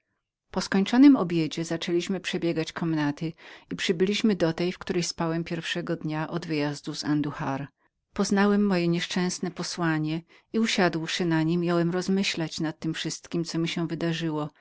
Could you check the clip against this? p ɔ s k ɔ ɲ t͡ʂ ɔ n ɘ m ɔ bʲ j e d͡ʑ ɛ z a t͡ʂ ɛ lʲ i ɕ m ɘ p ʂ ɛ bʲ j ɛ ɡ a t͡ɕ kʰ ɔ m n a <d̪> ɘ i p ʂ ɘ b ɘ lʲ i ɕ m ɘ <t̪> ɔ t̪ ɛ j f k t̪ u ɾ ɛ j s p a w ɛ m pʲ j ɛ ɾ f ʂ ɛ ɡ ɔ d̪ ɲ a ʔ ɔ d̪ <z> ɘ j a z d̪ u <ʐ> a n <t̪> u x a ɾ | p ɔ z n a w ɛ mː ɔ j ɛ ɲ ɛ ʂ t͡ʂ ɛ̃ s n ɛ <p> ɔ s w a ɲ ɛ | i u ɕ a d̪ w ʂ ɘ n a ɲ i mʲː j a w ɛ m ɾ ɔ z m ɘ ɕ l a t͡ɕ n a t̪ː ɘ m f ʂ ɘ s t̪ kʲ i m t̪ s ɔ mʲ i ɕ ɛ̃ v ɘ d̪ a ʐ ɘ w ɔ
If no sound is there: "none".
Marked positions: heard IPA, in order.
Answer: t̪, d̪, v, z, d̪, p

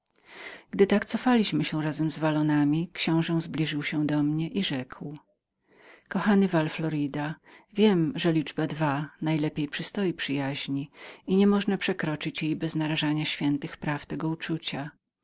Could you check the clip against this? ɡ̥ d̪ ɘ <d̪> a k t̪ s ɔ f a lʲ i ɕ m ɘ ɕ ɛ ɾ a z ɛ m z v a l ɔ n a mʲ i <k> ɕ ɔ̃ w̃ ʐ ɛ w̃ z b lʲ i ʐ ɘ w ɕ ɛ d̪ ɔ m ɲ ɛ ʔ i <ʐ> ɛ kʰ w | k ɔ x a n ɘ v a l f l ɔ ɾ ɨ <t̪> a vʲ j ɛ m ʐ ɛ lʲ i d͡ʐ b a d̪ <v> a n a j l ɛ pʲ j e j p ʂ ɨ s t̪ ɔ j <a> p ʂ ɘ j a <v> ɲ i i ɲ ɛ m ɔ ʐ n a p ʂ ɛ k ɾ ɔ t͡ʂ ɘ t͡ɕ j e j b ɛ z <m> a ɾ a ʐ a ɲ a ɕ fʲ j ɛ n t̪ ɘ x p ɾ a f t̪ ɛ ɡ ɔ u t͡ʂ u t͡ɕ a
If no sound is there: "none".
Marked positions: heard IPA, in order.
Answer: t̪, k, ʐ, d̪, v, i, ʑ, n

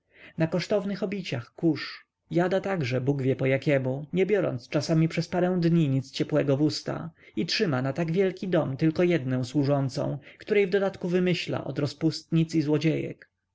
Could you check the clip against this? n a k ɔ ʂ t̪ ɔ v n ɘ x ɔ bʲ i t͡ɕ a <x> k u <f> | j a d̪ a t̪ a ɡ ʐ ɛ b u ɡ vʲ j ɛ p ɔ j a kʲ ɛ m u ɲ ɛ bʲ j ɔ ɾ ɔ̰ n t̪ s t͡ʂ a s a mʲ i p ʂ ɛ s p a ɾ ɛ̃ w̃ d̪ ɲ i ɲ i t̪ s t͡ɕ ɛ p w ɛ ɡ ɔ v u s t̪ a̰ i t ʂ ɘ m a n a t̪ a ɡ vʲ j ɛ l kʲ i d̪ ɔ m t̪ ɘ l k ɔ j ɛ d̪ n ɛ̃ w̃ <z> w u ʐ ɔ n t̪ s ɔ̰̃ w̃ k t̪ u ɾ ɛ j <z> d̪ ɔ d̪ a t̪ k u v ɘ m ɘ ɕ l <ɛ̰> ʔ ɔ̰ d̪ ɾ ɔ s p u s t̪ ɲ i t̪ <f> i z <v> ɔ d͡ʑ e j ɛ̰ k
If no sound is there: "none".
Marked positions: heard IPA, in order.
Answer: x, ʂ, s, v, a̰, s, w

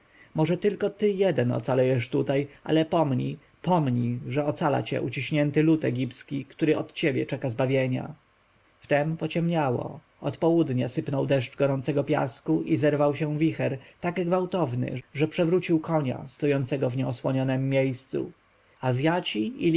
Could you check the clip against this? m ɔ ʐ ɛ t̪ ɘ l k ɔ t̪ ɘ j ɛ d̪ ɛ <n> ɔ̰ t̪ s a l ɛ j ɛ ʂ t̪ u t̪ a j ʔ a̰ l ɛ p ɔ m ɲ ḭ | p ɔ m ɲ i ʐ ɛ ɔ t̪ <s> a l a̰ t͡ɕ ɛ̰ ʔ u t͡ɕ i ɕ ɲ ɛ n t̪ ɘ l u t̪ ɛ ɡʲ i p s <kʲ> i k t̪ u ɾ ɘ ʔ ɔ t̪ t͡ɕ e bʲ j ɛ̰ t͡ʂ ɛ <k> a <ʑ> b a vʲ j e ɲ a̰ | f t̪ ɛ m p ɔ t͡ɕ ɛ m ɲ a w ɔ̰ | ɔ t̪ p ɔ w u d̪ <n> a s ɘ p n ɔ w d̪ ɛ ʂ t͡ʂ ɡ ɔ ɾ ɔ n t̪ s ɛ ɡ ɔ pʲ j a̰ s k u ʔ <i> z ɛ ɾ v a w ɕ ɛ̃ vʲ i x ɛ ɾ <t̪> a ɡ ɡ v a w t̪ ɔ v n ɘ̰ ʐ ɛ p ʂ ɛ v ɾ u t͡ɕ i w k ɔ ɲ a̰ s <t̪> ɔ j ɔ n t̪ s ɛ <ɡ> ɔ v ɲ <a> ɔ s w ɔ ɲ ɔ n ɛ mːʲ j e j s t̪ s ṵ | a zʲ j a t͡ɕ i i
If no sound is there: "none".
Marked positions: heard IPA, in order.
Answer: n, s, kʲ, k, z, ɲ, i, t̪, t̪, ɡ, ɛ

